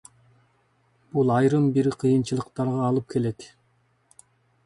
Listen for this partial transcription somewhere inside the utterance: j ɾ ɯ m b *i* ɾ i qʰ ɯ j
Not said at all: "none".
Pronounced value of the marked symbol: i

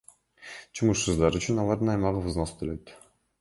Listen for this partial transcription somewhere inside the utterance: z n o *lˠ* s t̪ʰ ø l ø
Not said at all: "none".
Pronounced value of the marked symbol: none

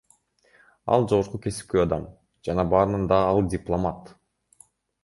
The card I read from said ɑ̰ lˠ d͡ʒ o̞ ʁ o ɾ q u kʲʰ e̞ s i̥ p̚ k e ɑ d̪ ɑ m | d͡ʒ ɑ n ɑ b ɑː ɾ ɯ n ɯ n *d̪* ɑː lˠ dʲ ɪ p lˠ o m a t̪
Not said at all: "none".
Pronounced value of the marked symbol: d̪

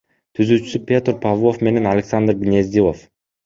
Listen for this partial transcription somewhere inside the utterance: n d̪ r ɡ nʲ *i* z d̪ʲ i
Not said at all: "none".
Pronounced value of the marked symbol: e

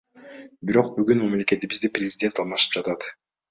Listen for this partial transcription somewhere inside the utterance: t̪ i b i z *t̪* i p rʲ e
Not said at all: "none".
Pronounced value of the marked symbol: d̪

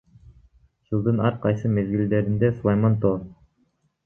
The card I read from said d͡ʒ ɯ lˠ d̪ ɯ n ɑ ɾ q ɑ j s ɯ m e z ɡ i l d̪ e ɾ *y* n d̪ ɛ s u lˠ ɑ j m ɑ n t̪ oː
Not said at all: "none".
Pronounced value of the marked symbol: i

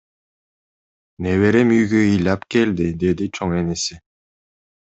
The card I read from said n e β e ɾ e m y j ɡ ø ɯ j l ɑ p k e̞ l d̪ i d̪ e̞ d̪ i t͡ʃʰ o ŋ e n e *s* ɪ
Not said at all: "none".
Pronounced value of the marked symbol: s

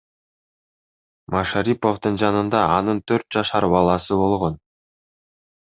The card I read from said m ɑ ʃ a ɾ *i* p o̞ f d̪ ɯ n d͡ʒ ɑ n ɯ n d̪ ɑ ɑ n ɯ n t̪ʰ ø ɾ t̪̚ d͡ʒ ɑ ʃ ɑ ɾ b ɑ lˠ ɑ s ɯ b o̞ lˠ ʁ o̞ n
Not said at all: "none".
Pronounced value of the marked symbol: i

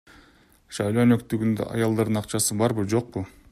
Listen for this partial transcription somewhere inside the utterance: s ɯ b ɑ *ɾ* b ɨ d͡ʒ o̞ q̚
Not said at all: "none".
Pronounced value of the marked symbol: ɾ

